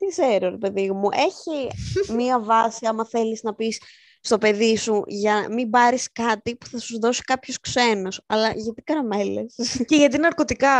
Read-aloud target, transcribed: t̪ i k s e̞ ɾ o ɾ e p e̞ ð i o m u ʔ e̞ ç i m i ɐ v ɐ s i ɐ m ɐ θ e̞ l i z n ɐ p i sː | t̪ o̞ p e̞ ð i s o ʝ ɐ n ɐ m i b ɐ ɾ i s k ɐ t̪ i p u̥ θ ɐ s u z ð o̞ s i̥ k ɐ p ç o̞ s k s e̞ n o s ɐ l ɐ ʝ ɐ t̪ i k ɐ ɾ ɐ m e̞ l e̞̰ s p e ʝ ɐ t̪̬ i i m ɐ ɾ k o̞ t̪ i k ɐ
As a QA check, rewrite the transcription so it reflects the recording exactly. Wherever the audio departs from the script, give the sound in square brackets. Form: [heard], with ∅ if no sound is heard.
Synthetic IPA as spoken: t̪ i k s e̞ ɾ o ɾ e p e̞ ð i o m u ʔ e̞ ç i m i ɐ v ɐ s i ɐ m ɐ θ e̞ l i z n ɐ p i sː | t̪ o̞ p e̞ ð i s [u] ʝ ɐ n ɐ m i b ɐ ɾ i s k ɐ t̪ i p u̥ θ ɐ s u z ð o̞ s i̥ k ɐ p ç o̞ s k s e̞ n o s ɐ l ɐ ʝ ɐ t̪ i k ɐ ɾ ɐ m e̞ l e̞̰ s [c] e ʝ ɐ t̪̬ i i [n] ɐ ɾ k o̞ t̪ i k ɐ